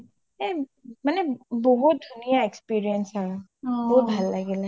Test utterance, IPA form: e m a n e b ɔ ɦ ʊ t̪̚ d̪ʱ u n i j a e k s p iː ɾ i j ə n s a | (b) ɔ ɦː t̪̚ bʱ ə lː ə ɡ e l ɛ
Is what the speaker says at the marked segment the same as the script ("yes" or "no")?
yes